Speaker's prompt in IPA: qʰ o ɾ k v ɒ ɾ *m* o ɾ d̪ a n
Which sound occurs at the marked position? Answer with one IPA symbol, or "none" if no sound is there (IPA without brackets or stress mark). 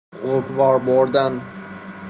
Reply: b